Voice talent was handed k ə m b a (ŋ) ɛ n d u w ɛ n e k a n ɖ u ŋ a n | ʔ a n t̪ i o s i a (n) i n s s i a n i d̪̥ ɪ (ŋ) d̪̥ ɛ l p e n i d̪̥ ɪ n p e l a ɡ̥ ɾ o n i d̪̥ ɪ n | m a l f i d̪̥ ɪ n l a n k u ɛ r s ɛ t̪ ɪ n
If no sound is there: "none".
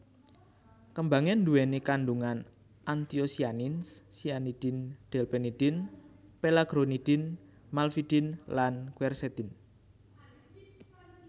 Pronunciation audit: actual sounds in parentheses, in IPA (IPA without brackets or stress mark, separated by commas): ŋ, n, n